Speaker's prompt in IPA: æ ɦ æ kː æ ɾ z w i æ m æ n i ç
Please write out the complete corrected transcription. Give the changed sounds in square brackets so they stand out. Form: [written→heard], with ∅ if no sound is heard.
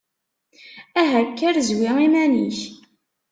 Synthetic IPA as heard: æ ɦ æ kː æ ɾ z w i [æ→i] m æ n i ç